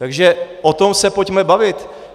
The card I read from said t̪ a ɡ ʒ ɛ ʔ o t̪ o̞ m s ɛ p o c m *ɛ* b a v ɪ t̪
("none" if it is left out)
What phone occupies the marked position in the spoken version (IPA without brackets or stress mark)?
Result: ɛ